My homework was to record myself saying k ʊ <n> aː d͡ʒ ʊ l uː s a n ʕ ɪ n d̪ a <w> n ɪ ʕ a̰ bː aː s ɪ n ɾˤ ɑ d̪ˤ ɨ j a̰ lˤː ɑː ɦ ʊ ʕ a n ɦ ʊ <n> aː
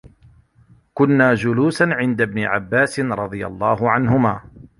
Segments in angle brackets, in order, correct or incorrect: incorrect, incorrect, incorrect

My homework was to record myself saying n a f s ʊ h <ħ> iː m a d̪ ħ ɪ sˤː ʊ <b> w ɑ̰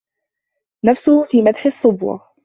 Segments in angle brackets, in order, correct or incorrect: incorrect, correct

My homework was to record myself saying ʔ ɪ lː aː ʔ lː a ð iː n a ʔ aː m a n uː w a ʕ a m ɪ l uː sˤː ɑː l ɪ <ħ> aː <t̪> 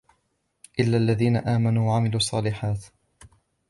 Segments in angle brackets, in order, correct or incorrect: correct, correct

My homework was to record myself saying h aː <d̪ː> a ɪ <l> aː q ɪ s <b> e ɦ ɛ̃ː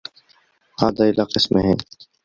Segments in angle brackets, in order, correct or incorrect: incorrect, correct, incorrect

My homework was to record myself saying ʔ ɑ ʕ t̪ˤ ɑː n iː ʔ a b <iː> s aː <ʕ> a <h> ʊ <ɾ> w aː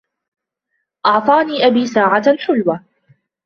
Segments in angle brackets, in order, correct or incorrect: correct, correct, incorrect, incorrect

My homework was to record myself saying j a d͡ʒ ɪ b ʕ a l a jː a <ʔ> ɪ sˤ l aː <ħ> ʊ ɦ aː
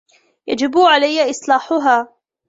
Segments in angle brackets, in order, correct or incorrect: correct, correct

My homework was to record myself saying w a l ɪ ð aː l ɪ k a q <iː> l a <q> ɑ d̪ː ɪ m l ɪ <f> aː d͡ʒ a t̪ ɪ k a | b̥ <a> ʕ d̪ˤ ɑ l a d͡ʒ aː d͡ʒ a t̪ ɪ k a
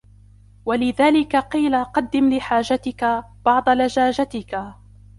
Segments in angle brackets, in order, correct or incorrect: correct, correct, incorrect, incorrect

